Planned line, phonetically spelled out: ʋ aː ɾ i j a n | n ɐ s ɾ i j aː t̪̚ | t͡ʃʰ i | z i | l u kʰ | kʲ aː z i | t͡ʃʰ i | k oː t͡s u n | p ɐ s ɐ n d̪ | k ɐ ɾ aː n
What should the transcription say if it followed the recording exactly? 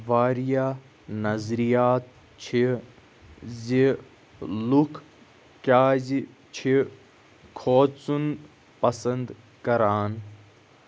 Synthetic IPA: ʋ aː ɾ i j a | n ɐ z ɾ i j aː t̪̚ | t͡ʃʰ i | z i | l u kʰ | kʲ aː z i | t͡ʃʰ i | kʰ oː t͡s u n | p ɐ s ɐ n d̪ | k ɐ ɾ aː n

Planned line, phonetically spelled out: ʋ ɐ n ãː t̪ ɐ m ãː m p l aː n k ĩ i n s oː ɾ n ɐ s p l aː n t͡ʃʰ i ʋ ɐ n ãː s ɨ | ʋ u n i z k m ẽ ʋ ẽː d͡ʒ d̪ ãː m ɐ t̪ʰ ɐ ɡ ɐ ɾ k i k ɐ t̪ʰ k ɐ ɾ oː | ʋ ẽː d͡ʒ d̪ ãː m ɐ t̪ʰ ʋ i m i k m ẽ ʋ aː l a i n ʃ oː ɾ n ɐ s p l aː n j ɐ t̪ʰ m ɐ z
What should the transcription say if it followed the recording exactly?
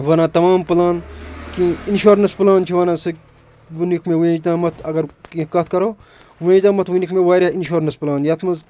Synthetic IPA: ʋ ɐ n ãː t̪ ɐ m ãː m p l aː n k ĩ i n ʃ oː ɾ n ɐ s p l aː n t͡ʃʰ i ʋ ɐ n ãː s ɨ | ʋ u n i k m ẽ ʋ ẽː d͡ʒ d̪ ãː m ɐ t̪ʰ ɐ ɡ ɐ ɾ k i k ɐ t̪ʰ k ɐ ɾ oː | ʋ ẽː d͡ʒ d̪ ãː m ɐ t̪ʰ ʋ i n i k m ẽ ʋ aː ɾ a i n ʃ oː ɾ n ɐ s p l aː n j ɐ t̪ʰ m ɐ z

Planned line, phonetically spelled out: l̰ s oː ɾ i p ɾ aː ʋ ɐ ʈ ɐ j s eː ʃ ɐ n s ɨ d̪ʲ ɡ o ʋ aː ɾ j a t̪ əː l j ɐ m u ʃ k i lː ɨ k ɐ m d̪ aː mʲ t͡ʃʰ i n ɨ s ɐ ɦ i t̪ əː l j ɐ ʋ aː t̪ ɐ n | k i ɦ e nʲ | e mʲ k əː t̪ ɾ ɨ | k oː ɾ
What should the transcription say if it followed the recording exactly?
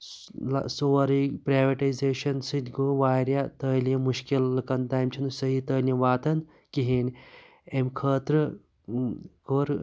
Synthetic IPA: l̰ s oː ɾ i p ɾ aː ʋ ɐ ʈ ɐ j z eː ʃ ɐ n s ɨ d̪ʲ ɡ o ʋ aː ɾ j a t̪ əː l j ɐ m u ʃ k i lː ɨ k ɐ n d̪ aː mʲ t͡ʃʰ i n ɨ s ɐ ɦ i t̪ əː l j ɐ ʋ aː t̪ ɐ n | k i ɦ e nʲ | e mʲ kʰ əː t̪ ɾ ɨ | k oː ɾ

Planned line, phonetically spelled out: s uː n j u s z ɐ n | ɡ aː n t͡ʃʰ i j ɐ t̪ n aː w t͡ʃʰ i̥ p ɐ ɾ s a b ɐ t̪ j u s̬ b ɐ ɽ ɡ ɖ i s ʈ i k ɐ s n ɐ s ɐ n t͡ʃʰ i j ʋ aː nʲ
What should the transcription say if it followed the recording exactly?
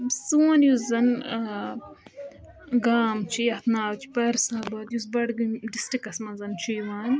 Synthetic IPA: s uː n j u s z ɐ n | ɡ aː m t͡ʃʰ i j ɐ t̪ n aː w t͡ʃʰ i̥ p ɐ ɾ s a b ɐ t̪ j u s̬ b ɐ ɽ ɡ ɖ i s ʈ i k ɐ s m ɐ z ɐ n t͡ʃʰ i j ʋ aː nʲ

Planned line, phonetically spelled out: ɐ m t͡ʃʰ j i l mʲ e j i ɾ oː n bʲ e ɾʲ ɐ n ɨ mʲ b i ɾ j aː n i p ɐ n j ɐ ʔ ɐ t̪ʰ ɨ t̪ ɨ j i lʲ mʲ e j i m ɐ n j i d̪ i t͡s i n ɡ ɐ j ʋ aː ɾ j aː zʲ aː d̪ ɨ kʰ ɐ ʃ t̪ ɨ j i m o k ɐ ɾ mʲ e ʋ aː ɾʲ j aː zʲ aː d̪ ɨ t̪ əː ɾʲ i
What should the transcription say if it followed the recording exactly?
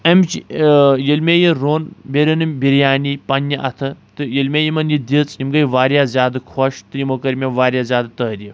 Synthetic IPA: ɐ m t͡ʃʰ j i l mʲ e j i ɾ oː n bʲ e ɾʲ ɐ n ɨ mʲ b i ɾ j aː n i p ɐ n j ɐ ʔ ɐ t̪ʰ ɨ t̪ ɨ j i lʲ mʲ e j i m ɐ n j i d̪ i t͡s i m ɡ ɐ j ʋ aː ɾ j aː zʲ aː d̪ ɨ kʰ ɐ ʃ t̪ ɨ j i m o k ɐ ɾ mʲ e ʋ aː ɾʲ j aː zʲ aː d̪ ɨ t̪ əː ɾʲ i

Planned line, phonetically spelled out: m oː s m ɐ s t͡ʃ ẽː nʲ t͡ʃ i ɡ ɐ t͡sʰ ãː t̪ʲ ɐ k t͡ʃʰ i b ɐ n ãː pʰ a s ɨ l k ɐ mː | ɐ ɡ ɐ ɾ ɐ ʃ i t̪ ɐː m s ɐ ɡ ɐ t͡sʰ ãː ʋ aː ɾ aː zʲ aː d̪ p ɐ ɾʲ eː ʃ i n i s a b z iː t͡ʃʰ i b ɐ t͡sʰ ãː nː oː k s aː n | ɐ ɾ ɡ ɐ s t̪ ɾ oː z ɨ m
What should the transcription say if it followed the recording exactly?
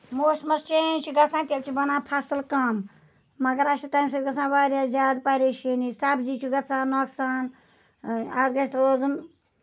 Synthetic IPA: m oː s m ɐ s t͡ʃ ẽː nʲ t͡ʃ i ɡ ɐ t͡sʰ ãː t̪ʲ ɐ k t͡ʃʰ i b ɐ n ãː pʰ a s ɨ l k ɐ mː | ɐ ɡ ɐ ɾ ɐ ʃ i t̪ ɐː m s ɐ ɡ ɐ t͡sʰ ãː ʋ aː ɾ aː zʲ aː d̪ p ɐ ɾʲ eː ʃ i n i s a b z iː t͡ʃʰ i ɡ ɐ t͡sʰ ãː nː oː k s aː n | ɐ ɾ ɡ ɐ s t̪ ɾ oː z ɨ m

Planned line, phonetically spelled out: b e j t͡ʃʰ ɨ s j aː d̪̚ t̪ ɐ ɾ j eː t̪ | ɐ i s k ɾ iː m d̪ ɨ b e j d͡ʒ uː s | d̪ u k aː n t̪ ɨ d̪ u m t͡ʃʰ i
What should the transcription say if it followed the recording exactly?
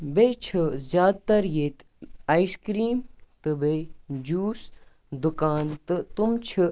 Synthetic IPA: b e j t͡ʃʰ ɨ z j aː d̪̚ t̪ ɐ ɾ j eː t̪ | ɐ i s k ɾ iː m t̪ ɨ b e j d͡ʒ uː s | d̪ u k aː n t̪ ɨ t̪ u m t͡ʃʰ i

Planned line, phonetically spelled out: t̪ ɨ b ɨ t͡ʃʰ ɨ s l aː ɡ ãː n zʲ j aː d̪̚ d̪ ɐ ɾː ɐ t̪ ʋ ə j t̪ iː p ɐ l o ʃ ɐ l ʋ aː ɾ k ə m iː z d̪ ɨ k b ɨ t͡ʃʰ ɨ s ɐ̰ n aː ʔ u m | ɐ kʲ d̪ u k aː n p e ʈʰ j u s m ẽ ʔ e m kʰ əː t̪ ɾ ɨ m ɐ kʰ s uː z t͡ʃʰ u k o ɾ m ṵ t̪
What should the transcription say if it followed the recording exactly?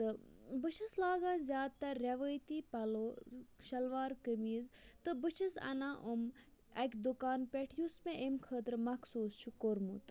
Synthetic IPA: t̪ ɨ b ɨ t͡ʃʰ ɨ s l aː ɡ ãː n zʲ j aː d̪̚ t̪ ɐ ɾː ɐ ʋ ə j t̪ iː p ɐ l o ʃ ɐ l ʋ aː ɾ k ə m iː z t̪ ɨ b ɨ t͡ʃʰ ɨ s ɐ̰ n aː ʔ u m | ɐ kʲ d̪ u k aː n p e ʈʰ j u s m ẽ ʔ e m kʰ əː t̪ ɾ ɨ m ɐ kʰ s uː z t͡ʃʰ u k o ɾ m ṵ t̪

